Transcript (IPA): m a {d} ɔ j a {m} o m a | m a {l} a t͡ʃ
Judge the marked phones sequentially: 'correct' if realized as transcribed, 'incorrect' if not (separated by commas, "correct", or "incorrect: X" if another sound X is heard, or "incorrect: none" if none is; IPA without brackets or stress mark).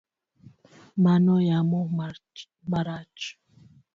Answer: incorrect: n, correct, incorrect: ɾ